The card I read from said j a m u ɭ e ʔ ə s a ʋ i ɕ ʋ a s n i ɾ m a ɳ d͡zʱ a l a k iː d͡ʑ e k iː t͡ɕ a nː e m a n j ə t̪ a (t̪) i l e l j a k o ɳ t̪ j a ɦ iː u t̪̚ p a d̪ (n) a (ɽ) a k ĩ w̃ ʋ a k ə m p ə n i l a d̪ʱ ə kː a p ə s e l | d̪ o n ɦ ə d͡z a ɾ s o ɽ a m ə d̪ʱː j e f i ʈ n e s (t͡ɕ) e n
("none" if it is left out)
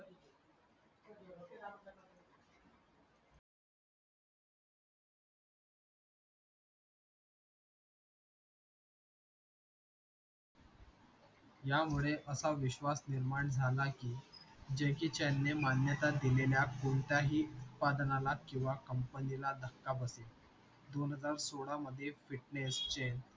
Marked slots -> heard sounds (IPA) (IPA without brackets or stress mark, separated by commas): d̪, n, l, t͡ɕ